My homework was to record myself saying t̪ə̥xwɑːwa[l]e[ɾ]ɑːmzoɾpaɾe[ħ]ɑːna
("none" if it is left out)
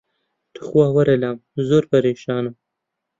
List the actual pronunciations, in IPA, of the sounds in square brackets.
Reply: ɾ, l, ʃ

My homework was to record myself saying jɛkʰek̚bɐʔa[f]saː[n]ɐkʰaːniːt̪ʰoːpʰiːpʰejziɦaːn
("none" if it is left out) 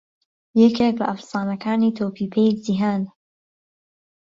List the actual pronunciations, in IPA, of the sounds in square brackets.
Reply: f, n

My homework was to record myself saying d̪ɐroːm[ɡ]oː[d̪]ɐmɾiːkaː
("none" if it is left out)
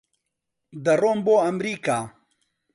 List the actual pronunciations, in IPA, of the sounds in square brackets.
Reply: b, none

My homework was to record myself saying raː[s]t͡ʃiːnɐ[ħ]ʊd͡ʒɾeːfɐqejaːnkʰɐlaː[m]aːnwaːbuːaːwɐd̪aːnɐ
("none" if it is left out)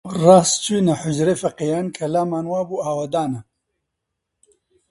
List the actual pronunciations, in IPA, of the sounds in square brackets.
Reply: s, ħ, m

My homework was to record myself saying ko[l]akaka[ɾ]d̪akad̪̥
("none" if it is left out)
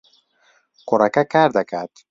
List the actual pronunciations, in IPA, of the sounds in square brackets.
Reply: ɾ, ɾ

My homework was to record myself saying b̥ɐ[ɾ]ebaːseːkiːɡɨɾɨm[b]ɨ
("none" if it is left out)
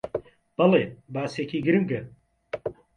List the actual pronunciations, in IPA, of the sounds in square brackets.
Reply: l, ɡ

